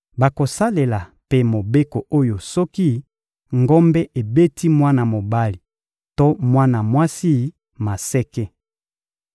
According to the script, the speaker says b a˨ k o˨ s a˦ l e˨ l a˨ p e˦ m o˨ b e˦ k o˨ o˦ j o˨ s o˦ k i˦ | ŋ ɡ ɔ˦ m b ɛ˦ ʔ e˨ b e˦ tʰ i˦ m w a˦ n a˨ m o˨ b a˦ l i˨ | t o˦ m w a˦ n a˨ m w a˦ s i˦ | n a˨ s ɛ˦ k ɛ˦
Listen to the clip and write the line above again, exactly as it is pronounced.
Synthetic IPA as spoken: b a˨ k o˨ s a˦ l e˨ l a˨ p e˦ m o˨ b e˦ k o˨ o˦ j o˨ s ɔ˦ k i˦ | ŋ ɡ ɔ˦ m b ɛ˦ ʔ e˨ b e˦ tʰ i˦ m w a˦ n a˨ m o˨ b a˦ l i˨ | t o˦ m w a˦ n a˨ m w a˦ s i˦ | m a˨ s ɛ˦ k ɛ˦